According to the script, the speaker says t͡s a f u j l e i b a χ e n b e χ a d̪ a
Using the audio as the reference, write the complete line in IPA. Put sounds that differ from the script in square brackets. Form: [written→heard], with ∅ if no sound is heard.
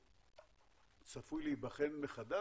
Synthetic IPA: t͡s a f u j l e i b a χ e n [b→m] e χ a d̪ a

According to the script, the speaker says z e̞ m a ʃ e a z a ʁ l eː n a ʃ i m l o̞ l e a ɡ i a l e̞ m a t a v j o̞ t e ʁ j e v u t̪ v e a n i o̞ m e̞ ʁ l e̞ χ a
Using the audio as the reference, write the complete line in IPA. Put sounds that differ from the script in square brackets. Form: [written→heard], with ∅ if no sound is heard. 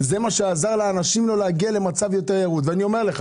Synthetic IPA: z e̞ m a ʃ e a z a ʁ l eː n a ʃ i m l o̞ l e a ɡ i a l e̞ m a [t→t͡s] a v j o̞ t e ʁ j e [v→ʁ] u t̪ v e a n i o̞ m e̞ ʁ l e̞ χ a

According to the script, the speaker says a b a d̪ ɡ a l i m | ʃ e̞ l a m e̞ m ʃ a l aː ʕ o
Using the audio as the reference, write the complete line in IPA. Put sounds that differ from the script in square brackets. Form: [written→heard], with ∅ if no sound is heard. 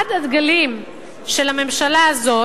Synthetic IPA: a [b→d] a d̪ ɡ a l i m | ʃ e̞ l a m e̞ m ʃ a l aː [ʕ→z] o

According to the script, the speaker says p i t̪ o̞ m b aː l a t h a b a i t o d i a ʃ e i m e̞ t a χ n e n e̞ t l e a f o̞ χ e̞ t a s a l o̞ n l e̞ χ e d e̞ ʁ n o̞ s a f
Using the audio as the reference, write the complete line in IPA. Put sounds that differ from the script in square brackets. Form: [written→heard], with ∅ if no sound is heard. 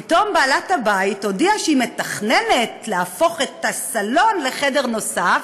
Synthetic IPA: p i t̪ o̞ m b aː l a t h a b a i t o d i a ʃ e i m e̞ t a χ n e n e̞ t l e a f o̞ χ e̞ t a s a l o̞ n l e̞ χ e d e̞ ʁ n o̞ s a f

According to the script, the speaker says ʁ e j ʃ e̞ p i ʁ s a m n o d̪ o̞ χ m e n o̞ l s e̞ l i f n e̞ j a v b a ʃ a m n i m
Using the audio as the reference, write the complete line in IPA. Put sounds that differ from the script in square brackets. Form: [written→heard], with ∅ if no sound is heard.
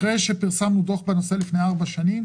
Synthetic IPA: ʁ e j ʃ e̞ p i ʁ s a m n [o→u] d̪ o̞ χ [m→b] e n o̞ [l→∅] s e̞ l i f n e̞ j a [v→ʁ] b a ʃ a [m→∅] n i m

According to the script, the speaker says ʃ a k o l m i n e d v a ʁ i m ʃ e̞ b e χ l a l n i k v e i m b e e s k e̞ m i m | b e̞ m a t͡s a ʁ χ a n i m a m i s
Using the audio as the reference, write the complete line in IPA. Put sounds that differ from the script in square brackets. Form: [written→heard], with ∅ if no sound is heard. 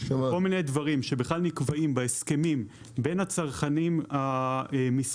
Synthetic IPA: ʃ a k o l m i n e d v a ʁ i m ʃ e̞ b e χ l a l n i k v [e→a] i m b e e s k e̞ m i m | b e̞ [m→n] a t͡s a ʁ χ a n i m a m i s

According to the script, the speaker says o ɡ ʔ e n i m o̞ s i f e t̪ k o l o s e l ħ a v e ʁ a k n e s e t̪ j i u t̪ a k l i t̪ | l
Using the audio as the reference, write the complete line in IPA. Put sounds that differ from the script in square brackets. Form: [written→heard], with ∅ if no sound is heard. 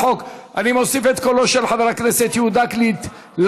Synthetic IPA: o [ɡ→k] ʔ [e→a] n i m o̞ s i f e t̪ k o l o [s→ʃ] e l ħ a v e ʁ a k n e s e t̪ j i u [t̪→d̪] a k l i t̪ | l

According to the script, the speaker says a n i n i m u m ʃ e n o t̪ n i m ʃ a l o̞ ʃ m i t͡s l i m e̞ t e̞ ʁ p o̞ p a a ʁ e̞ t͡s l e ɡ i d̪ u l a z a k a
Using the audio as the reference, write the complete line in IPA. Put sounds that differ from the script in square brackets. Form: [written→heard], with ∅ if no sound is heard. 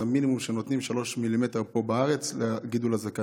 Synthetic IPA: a [n→m] i n i m u m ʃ e n o t̪ n i m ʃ a l o̞ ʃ m i [t͡s→∅] l i m e̞ t e̞ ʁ p o̞ [p→b] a a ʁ e̞ t͡s l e ɡ i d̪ u l a z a k a

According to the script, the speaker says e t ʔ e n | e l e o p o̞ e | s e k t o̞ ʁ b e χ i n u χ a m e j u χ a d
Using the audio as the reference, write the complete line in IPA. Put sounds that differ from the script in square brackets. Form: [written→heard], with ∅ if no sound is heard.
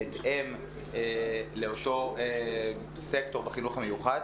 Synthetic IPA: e t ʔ e [n→m] | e l e o [p→t] o̞ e | s e k t o̞ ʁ b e χ i n u χ a m e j u χ a d

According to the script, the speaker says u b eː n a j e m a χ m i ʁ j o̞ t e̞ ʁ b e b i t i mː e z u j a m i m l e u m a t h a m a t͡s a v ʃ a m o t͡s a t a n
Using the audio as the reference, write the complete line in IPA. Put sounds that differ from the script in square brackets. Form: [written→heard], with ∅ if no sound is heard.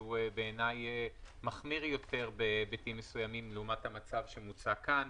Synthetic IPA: u b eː n a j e m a χ m i ʁ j o̞ t e̞ ʁ b e b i t i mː e [z→s] u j a m i m l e u m a t h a m a t͡s a v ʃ [a→e] m [o→u] t͡s a [t→k] a n

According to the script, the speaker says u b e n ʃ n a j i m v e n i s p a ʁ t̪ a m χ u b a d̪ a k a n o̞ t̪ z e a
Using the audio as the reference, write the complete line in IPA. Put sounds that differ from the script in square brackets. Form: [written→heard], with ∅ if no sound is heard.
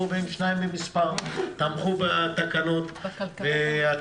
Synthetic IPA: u b e n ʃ n a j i m [v→b] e [n→m] i s p a ʁ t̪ a m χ u b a [d̪→t̪] a k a n o̞ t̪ [z→v] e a

